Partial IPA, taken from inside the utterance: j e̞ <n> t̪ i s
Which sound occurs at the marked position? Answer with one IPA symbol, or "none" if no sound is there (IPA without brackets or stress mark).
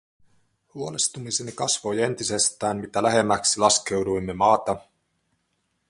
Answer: n